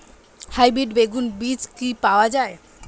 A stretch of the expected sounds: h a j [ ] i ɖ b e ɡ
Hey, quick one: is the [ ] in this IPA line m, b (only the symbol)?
b